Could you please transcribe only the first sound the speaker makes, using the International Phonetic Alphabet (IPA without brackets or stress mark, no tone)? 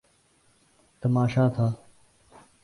t̪